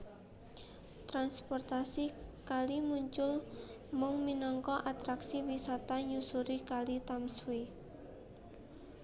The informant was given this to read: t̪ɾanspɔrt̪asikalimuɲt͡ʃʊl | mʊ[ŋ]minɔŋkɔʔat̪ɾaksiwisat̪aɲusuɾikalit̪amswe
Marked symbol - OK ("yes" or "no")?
yes